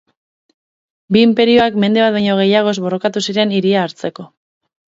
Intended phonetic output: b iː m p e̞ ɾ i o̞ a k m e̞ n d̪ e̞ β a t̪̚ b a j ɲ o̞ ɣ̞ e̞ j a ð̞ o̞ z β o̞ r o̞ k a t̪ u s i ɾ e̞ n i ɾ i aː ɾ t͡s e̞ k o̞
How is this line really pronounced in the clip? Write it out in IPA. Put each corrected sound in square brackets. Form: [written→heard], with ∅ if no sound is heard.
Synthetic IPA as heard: b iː m p e̞ ɾ i o̞ a k m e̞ n d̪ e̞ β a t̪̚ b a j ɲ o̞ ɣ̞ e̞ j a [ð̞→ɣ̞] o̞ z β o̞ r o̞ k a t̪ u s i ɾ e̞ n i ɾ i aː ɾ t͡s e̞ k o̞